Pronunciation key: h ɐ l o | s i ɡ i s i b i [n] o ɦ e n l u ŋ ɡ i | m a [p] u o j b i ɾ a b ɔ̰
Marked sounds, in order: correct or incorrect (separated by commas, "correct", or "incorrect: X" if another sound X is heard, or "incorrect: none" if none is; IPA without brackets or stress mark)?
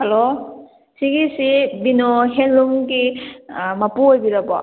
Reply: correct, correct